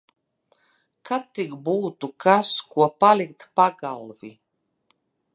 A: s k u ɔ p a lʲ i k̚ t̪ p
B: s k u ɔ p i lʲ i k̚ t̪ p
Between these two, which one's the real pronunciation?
A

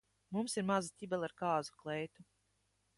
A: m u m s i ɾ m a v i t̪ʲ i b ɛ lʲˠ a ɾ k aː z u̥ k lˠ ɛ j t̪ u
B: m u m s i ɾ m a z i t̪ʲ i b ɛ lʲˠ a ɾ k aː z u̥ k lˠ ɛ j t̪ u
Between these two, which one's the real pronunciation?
B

